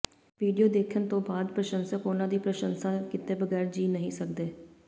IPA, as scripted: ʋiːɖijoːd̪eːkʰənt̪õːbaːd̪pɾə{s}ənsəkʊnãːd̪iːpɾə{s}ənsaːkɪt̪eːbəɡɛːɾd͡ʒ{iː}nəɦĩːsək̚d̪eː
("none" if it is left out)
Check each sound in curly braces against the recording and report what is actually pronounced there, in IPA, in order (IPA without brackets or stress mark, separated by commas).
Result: ʃ, ʃ, iː